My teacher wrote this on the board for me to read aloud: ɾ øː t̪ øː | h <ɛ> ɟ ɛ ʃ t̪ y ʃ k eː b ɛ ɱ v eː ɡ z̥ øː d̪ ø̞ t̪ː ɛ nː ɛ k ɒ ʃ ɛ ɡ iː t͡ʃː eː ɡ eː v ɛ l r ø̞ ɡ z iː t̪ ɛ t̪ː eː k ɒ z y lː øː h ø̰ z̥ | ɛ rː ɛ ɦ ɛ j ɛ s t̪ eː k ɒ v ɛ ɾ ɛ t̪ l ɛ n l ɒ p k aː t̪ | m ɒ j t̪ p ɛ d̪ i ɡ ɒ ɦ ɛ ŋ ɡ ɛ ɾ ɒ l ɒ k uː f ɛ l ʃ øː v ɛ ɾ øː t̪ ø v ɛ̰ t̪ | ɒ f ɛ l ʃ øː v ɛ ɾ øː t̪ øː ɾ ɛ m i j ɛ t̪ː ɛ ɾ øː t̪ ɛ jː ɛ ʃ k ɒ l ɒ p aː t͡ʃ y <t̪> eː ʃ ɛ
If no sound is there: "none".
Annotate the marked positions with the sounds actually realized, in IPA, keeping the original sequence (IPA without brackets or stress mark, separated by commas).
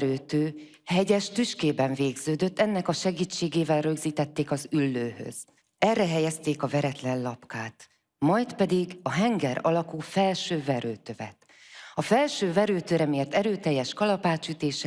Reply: ɛ, t̪